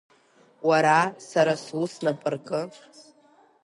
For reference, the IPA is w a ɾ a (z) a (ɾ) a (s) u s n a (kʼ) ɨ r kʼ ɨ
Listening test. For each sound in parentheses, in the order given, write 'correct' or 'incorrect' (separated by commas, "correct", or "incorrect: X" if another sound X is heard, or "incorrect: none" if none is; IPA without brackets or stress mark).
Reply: incorrect: s, correct, correct, incorrect: pʼ